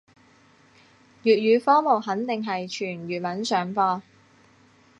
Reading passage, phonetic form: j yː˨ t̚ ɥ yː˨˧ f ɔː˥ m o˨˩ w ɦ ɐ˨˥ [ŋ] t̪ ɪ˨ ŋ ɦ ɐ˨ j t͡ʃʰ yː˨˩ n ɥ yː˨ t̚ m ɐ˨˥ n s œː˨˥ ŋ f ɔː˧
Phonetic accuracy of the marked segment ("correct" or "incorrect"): incorrect